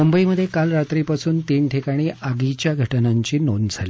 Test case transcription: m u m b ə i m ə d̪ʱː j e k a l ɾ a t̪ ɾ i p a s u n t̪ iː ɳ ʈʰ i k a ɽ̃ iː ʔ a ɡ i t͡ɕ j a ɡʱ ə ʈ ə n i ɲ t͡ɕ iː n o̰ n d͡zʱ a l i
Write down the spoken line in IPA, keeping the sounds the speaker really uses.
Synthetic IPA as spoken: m u m b ə i m ə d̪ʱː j e k a l ɾ a t̪ ɾ i p a s uː n t̪ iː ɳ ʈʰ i k a ɽ̃ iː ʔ a ɡ i t͡ɕ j a ɡʱ ə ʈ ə n a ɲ t͡ɕ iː n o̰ n d͡zʱ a l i